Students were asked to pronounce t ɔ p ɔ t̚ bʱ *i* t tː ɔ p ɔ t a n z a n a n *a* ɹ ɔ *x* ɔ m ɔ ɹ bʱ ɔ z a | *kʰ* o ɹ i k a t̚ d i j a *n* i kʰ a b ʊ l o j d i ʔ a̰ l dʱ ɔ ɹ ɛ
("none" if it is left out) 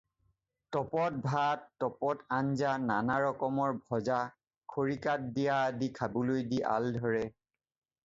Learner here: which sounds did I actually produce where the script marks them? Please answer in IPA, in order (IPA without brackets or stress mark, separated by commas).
a, a, k, kʰ, d